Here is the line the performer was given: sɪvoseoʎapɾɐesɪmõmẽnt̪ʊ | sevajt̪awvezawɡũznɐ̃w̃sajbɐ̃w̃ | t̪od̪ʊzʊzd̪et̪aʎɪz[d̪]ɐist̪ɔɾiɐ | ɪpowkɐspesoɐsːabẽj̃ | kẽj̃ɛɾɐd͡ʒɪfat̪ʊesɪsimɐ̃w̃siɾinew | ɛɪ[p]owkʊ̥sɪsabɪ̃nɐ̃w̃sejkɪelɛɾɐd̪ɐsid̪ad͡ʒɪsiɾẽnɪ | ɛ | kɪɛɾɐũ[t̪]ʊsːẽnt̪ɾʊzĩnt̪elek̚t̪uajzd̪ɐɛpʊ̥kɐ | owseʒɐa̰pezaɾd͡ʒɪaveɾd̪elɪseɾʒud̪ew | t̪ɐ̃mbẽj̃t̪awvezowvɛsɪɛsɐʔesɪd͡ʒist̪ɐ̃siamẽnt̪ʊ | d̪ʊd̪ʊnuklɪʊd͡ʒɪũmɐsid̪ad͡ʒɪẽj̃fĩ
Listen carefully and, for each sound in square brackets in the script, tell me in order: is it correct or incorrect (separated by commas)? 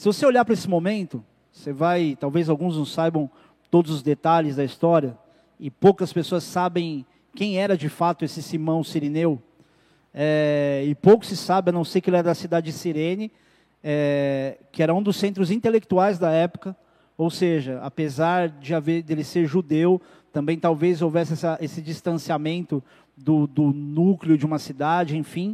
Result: correct, correct, incorrect